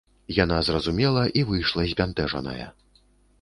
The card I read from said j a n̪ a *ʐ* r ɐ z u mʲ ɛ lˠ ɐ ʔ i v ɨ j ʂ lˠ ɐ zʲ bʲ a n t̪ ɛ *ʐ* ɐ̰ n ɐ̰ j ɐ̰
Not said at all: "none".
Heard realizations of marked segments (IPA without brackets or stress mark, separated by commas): z, ʐ